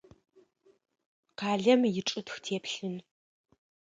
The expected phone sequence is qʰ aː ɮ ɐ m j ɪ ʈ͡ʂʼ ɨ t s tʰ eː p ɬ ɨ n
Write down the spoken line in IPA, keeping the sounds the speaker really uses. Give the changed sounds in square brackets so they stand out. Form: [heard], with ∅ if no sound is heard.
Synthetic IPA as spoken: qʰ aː ɮ ɐ m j ɪ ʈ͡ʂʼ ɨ t [x] tʰ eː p ɬ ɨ n